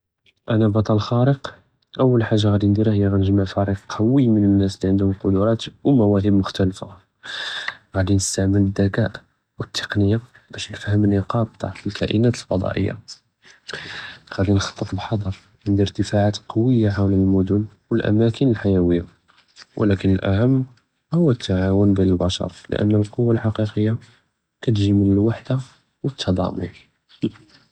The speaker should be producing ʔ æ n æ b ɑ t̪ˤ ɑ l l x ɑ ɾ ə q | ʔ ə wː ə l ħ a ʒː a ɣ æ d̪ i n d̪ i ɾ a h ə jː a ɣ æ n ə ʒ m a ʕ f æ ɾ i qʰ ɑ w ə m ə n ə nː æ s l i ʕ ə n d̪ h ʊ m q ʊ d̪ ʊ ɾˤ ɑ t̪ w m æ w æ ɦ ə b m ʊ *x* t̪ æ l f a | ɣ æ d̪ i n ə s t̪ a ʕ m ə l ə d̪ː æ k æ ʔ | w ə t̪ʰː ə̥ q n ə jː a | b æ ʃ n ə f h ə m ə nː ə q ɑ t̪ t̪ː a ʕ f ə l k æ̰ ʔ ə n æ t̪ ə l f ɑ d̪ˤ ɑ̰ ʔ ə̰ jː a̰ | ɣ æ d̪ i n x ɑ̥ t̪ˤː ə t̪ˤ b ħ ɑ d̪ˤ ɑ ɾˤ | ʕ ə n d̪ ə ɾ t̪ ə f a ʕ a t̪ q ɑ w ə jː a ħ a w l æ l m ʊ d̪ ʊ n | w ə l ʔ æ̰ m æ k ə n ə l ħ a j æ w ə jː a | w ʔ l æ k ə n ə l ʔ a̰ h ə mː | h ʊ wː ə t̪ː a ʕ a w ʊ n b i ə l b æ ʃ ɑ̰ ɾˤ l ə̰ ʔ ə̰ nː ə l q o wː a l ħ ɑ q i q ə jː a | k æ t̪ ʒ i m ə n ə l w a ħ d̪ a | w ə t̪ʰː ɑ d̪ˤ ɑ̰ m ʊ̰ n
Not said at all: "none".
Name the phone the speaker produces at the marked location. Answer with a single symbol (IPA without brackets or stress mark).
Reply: x